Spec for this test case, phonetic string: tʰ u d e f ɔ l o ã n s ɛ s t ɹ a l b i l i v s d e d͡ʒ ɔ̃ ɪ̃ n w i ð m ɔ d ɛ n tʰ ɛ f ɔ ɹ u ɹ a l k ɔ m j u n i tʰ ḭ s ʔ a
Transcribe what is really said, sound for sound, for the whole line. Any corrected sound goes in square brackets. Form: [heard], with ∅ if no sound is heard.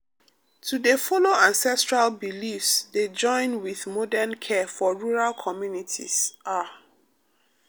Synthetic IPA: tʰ u d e f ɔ l o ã n s ɛ s t ɹ a l b i l i [f] s d e d͡ʒ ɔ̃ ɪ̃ n w i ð m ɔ d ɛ n [kʰ] ɛ f ɔ ɹ u ɹ a l [kʰ] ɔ m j u n i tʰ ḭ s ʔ a